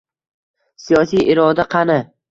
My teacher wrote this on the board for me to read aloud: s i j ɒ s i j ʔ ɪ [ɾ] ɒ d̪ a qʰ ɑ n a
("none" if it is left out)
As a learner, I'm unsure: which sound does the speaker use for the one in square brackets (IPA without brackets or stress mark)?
ɾ